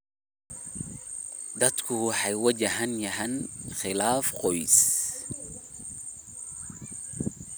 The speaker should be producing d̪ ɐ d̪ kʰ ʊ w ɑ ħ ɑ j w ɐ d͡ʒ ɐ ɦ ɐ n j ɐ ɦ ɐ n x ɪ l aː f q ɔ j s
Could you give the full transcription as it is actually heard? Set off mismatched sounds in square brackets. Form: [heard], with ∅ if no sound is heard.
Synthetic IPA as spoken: d̪ ɐ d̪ kʰ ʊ w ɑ ħ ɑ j w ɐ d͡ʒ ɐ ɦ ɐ n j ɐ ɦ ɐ n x ɪ l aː f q ɔ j s